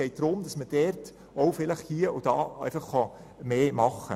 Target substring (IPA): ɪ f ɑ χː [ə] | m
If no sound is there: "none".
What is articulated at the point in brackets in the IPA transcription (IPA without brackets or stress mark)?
ɑ